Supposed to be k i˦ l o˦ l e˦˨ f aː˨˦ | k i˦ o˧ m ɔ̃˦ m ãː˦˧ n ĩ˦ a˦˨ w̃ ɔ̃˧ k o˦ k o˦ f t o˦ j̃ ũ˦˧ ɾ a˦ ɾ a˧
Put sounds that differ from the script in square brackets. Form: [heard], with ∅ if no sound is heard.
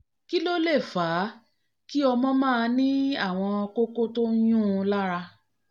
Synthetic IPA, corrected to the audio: k i˦ l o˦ l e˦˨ f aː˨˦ | k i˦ [ɔ˧] m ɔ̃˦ m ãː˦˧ n ĩ˦ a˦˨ w̃ ɔ̃˧ k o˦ k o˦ [∅] t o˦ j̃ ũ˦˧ [l] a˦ ɾ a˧